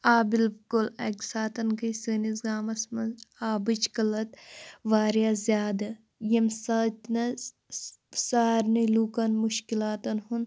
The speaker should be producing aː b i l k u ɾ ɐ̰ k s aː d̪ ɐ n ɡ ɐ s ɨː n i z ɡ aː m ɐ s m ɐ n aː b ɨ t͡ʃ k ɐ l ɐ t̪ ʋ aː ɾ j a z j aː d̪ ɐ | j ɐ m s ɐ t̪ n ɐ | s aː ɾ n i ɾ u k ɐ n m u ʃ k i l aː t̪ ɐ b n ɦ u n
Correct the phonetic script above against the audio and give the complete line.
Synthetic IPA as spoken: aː b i l k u l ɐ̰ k s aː t̪ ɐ n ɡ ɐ s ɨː n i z ɡ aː m ɐ s m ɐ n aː b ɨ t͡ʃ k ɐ l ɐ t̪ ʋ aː ɾ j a z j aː d̪ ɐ | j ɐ m s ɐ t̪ n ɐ | s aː ɾ n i l u k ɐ n m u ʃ k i l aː t̪ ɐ n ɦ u n